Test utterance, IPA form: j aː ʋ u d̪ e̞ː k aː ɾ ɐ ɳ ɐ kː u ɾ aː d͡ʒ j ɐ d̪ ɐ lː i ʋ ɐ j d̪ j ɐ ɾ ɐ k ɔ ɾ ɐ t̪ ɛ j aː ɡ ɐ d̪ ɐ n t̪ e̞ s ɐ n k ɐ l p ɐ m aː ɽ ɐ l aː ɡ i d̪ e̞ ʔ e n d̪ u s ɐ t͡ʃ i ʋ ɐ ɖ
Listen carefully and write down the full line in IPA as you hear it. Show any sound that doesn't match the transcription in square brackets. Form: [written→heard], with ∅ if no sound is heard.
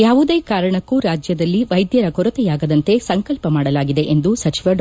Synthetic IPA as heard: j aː ʋ u d̪ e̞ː k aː ɾ ɐ ɳ ɐ kː u ɾ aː d͡ʒ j ɐ d̪ ɐ lː i ʋ ɐ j d̪ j ɐ ɾ ɐ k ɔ ɾ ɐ t̪ ɛ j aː ɡ ɐ d̪ ɐ n t̪ e̞ s ɐ [n→ŋ] k ɐ l p ɐ m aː ɽ ɐ l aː ɡ i d̪ e̞ ʔ e n d̪ u s ɐ t͡ʃ i ʋ ɐ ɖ